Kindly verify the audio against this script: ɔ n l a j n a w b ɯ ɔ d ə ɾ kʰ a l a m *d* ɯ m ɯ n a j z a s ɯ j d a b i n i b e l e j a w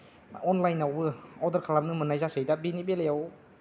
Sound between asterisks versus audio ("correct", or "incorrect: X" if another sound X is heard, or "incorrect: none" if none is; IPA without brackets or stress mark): incorrect: n